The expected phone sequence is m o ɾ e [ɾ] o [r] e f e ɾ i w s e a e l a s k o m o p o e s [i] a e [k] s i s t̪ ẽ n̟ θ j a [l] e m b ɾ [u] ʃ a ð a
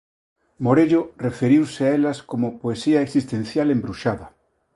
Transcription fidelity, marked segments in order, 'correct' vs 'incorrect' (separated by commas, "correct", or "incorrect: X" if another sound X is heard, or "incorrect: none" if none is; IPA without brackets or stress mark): incorrect: ʎ, correct, correct, correct, correct, correct